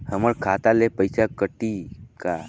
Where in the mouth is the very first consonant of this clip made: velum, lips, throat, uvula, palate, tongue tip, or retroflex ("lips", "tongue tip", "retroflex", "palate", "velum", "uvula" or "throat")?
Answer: throat